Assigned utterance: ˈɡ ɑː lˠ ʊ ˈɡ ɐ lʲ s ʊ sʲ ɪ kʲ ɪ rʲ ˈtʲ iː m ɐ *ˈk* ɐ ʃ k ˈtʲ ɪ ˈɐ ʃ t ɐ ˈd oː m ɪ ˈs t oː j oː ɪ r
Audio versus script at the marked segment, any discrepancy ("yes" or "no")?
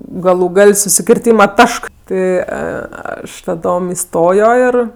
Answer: yes